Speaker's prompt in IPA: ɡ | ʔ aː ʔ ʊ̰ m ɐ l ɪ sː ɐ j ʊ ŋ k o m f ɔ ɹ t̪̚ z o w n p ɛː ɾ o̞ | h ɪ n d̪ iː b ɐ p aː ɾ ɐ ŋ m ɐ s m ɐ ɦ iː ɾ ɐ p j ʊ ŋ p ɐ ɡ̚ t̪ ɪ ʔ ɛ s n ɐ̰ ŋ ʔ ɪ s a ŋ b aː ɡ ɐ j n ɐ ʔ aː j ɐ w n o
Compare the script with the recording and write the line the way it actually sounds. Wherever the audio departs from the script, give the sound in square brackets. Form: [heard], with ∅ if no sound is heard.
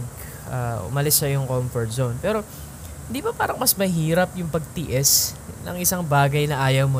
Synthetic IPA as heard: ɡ | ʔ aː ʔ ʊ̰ m ɐ l ɪ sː ɐ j ʊ ŋ k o m f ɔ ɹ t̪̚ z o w n p ɛː ɾ o̞ | h ɪ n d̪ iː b ɐ p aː ɾ ɐ ŋ m ɐ s m ɐ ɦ iː ɾ ɐ p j ʊ ŋ p ɐ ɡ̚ t̪ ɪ ʔ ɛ s n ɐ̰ ŋ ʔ ɪ s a ŋ b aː ɡ ɐ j n ɐ ʔ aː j ɐ w [m] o